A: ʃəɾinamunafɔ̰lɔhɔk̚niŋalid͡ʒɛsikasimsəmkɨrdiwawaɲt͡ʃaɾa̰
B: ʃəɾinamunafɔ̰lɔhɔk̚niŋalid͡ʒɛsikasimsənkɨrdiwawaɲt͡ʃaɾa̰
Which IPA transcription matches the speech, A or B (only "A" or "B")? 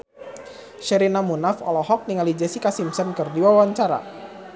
B